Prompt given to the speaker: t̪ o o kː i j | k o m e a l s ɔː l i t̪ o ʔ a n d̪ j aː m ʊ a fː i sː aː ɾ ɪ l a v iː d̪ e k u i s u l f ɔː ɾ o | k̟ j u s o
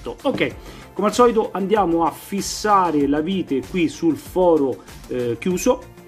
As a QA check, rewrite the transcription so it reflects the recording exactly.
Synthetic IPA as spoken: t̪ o o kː ɛ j | k o m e a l s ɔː l i t̪ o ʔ a n d̪ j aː m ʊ a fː i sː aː ɾ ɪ l a v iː t̪ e k w i s u l f ɔː ɾ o | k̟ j uː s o

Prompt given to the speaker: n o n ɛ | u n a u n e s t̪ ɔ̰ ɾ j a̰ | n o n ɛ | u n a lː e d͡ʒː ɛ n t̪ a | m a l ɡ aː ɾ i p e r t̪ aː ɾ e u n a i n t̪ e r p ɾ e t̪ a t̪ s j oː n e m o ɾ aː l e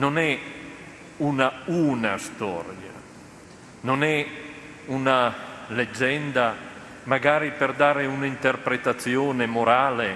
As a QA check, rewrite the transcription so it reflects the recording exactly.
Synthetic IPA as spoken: n o n ɛ | u n a u n a s t̪ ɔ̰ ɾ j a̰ | n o n ɛ | u n a l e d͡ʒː ɛ n d̪ a | m a ɡ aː ɾ i p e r d̪ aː ɾ e u n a i n t̪ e r p ɾ e t̪ a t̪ s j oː n e m o ɾ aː l e

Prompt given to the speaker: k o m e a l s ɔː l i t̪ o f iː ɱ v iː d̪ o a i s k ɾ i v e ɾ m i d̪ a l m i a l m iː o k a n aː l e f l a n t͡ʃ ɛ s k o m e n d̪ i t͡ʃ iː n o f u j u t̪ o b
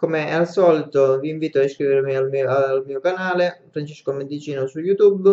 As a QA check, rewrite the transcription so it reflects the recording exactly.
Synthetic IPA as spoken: k o m e a l s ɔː l i t̪ o v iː ɱ v iː t̪ o a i s k ɾ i v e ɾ m i a l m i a l m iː o k a n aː l e f ɾ a n t͡ʃ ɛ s k o m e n d̪ i t͡ʃ iː n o s u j u t̪ u b

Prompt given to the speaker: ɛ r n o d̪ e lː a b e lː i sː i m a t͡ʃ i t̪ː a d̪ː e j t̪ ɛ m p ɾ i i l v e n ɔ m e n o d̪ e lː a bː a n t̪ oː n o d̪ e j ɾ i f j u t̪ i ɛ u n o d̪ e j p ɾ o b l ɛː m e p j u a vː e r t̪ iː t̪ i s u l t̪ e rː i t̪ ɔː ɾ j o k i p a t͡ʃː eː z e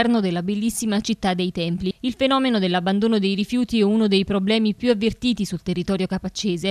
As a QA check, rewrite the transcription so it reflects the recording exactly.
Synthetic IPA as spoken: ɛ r n o d̪ e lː a b e lː i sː i m a t͡ʃ i t̪ː a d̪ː e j t̪ ɛ m p l i i l f e n ɔː m e n o d̪ e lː a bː a n d̪ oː n o d̪ e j ɾ i f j uː t̪ i ɛ u n o d̪ e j p ɾ o b l ɛː m i p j u a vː e r t̪ iː t̪ i s u l t̪ e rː i t̪ ɔː ɾ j o k a p a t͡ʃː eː z e

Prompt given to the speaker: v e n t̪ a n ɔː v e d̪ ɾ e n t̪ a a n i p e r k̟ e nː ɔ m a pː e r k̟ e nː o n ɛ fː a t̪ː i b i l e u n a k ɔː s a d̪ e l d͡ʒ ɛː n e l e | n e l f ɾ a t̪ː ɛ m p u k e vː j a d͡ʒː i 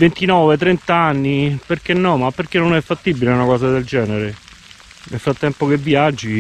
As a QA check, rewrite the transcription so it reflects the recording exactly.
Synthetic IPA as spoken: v e n t̪ i n ɔː v e t̪ ɾ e n t̪ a a nː i p e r k̟ e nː ɔ m a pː e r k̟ e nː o n ɛ fː a t̪ː i b i l e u n a k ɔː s a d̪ e l d͡ʒ ɛː n e ɾ e | n e l f ɾ a t̪ː ɛ m p o k e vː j a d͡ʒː i

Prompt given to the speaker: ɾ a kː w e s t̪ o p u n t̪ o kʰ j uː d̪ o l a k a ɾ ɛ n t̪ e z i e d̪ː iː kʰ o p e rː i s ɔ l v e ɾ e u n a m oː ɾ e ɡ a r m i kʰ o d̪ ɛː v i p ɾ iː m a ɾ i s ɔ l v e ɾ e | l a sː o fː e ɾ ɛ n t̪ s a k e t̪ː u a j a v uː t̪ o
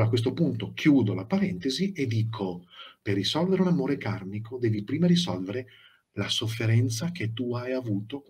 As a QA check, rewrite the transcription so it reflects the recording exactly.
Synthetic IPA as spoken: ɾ a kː w e s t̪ o p u n t̪ o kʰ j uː d̪ o l a p a ɾ ɛ n t̪ e z i e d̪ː iː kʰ o p e rː i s ɔ l v e ɾ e u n a m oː ɾ e k a r m i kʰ o d̪ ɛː v i p ɾ iː m a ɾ i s ɔ l v e ɾ e | l a s o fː e ɾ ɛ n t̪ s a k e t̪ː u a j a v uː t̪ o

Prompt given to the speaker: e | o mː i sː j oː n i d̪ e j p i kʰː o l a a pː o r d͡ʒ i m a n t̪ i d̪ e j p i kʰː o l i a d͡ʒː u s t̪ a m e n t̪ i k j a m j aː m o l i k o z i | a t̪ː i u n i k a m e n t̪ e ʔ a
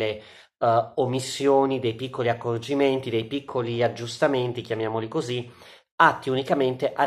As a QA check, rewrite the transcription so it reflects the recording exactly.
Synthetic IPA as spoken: e | o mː i sː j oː n i d̪ e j p i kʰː o l i a kː o r d͡ʒ i m e n t̪ i d̪ e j p i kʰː o l i a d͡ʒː u s t̪ a m e n t̪ i k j a m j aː m o l i k o z i | a t̪ː i u n i k a m e n t̪ e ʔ a

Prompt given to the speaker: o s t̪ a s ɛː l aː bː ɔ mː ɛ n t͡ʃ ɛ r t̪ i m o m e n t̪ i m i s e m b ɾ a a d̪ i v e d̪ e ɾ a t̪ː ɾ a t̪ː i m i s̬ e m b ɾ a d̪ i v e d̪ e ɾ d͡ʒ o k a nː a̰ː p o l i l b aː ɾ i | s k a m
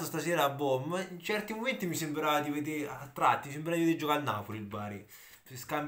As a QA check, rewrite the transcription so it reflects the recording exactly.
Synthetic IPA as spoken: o s t̪ a s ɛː ɾ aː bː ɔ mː i n t͡ʃ ɛ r t̪ i m o m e n t̪ i m i s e m b ɾ a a d̪ i v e d̪ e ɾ a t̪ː ɾ a t̪ː i m i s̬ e m b ɾ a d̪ i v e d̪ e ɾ d͡ʒ o k a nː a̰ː p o l i l b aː ɾ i | s k a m

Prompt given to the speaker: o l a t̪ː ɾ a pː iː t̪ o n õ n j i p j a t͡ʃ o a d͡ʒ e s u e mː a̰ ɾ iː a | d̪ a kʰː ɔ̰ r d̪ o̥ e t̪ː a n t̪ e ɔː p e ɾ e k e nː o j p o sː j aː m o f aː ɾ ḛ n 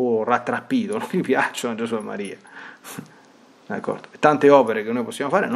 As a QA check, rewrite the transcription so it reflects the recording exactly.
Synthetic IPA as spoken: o r a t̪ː ɾ a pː iː t̪ o n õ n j i p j a t͡ʃ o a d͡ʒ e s u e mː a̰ ɾ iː a | d̪ a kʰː ɔ̰ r d̪ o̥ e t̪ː a n t̪ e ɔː p e ɾ e k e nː o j p o sː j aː m o f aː ɾ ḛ n

